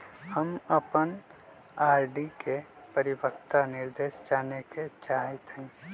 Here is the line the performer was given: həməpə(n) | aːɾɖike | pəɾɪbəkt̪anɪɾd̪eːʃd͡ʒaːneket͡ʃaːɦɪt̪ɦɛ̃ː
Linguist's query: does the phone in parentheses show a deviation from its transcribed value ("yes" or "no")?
no